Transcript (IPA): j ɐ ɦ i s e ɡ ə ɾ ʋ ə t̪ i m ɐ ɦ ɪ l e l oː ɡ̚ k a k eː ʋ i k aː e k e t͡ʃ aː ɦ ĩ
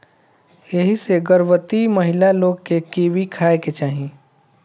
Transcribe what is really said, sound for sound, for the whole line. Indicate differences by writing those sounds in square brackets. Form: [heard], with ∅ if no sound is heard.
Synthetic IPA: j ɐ ɦ i s e ɡ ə ɾ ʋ ə t̪ i m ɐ ɦ ɪ l [a] l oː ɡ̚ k [e] k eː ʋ i [kʰ] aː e k e t͡ʃ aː ɦ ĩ